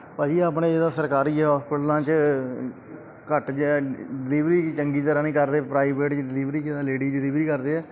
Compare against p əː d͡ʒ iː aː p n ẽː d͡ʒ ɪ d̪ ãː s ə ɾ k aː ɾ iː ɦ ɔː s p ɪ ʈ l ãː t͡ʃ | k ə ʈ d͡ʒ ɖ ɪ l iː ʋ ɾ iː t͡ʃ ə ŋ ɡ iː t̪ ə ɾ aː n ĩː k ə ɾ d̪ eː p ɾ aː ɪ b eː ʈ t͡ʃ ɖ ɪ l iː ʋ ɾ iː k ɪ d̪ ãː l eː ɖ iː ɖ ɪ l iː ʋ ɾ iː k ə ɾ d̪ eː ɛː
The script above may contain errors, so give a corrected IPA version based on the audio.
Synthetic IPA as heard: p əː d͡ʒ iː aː p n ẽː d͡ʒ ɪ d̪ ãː s ə ɾ k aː ɾ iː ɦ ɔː s p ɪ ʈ l ãː t͡ʃ | k ə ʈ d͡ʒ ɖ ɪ l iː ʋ ɾ iː t͡ʃ ə ŋ ɡ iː t̪ ə ɾ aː n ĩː k ə ɾ d̪ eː p ɾ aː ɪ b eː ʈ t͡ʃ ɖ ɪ l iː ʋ ɾ iː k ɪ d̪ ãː l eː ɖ iː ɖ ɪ l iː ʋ ɾ iː k ə ɾ d̪ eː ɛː